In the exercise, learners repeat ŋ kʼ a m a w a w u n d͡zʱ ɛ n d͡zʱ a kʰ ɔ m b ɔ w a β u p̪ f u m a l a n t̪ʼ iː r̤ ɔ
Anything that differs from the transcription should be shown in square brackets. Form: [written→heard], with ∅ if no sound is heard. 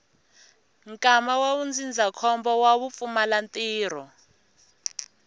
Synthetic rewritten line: ŋ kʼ a m a w a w u n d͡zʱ [ɛ→i] n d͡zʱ a kʰ ɔ m b ɔ w a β u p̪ f u m a l a n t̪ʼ iː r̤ ɔ